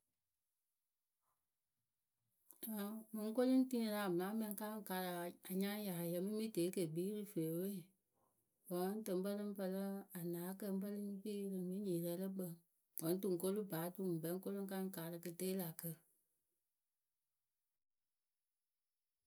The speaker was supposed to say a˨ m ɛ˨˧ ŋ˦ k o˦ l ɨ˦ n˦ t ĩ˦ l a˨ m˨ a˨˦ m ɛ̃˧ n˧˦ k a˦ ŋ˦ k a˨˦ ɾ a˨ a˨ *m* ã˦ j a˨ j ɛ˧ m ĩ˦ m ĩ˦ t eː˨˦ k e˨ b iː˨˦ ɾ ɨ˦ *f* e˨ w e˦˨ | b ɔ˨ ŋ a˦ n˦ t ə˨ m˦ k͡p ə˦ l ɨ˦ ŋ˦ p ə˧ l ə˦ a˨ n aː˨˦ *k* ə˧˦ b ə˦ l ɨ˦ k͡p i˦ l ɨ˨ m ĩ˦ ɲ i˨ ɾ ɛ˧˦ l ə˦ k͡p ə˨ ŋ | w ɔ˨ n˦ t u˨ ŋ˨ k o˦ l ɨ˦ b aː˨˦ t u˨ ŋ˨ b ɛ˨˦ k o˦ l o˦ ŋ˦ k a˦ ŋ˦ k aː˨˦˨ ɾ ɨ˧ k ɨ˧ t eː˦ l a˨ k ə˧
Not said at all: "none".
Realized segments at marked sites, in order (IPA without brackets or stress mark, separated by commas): ɲ, f, k